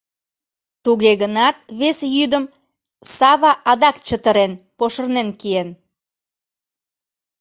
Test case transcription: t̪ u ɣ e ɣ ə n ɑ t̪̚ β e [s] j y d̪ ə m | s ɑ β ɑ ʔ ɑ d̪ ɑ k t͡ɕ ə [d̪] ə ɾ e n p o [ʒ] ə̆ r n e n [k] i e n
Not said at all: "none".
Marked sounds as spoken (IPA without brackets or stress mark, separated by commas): s, t̪, ʃ, k